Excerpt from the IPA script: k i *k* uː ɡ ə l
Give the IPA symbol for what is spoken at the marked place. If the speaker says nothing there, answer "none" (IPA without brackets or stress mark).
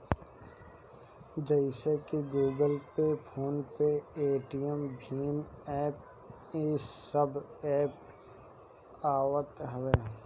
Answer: ɡ